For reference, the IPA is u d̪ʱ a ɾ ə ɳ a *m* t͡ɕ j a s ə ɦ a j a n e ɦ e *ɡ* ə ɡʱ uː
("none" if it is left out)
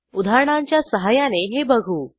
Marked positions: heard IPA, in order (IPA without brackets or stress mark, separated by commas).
ɲ, b